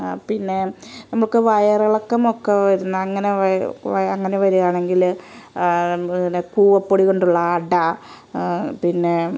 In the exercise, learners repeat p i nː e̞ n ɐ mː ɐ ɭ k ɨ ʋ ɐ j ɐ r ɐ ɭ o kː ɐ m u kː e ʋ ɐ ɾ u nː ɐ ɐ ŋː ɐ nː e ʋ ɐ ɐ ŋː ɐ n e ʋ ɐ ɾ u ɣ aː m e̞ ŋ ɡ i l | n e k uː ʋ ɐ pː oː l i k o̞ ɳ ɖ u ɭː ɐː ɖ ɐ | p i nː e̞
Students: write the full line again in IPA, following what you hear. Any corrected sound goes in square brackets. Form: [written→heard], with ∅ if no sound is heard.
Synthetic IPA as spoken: p i nː e̞ n ɐ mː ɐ ɭ k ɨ ʋ ɐ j ɐ r ɐ ɭ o kː ɐ m [u→o] kː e ʋ ɐ ɾ u nː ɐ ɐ ŋː ɐ [nː→n] e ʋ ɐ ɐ ŋː ɐ n e ʋ ɐ ɾ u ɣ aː [m→ɳ] e̞ ŋ ɡ i l | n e k uː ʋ ɐ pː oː [l→ɽ] i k o̞ ɳ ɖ u ɭː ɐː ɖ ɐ | p i nː e̞